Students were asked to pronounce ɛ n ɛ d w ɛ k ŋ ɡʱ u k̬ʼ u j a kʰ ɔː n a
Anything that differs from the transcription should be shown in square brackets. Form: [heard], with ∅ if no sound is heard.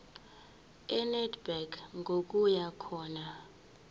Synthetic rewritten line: ɛ n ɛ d [b] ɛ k ŋ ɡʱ [o] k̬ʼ u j a kʰ ɔː n a